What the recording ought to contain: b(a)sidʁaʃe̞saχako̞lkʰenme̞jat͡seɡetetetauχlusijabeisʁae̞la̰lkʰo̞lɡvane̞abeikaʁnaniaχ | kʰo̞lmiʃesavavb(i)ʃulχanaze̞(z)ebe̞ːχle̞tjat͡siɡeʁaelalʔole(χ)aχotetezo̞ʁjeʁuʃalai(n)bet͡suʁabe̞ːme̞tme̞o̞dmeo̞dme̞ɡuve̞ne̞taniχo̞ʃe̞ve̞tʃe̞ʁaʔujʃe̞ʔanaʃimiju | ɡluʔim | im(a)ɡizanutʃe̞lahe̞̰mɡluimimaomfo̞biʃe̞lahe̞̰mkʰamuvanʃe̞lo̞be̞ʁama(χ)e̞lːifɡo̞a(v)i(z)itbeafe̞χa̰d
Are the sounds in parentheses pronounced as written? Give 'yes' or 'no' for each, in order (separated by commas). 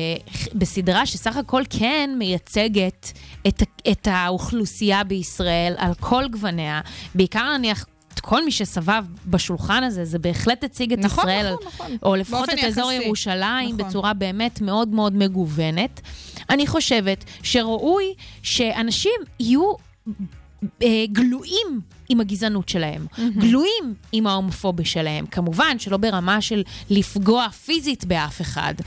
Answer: no, no, yes, no, no, yes, no, no, yes